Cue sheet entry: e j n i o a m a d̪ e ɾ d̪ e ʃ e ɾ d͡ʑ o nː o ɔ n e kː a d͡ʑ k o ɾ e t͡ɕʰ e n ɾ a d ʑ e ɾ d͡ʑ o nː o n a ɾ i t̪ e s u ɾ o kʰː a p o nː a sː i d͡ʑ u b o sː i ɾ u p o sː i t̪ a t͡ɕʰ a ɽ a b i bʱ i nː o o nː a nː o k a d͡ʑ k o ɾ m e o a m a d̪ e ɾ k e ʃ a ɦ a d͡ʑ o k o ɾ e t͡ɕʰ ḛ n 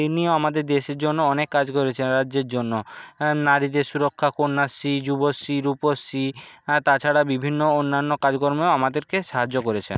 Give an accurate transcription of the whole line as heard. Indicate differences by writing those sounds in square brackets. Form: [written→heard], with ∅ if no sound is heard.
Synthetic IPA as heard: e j n i o a m a d̪ e ɾ d̪ e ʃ e ɾ d͡ʑ o nː o ɔ n e kː a d͡ʑ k o ɾ e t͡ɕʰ e n ɾ a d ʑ e ɾ d͡ʑ o nː o n a ɾ i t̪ e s u ɾ o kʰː a [p→k] o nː a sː i d͡ʑ u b o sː i ɾ u p o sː i t̪ a t͡ɕʰ a ɽ a b i bʱ i nː o o nː a nː o k a d͡ʑ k o ɾ m e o a m a d̪ e ɾ k e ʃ a ɦ a d͡ʑ o k o ɾ e t͡ɕʰ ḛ n